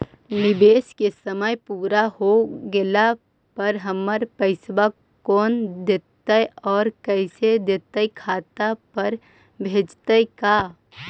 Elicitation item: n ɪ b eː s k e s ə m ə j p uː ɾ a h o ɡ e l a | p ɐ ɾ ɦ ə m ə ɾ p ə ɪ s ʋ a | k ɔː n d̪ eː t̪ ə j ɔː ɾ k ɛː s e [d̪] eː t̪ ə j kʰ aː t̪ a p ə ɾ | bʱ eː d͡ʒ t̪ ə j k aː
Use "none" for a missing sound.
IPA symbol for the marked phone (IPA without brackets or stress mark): d̪